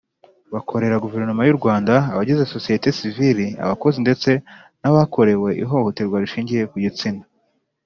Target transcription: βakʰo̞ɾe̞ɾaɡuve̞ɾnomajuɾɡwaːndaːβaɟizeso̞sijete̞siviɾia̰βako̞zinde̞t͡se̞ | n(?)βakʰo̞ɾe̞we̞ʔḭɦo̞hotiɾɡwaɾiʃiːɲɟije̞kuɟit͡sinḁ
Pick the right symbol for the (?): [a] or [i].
a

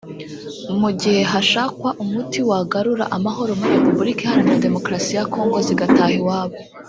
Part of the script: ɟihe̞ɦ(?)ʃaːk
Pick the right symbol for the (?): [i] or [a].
a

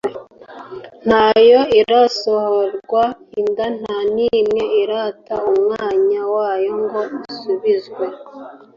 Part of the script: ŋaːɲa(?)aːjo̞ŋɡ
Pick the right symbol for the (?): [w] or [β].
w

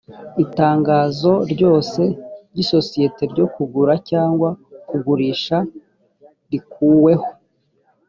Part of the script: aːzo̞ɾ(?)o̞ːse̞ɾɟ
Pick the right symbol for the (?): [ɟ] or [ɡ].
ɟ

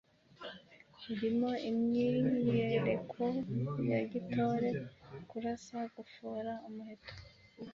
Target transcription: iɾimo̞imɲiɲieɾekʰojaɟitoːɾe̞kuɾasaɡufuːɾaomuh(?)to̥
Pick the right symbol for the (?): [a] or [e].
e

